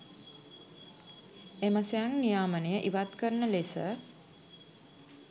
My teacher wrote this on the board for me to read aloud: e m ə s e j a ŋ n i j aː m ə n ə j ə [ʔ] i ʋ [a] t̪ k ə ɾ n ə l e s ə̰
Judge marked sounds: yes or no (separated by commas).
yes, yes